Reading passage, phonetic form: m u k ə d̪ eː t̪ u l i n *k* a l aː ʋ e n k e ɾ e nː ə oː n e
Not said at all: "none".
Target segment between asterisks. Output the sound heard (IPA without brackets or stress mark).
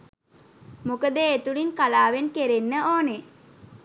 k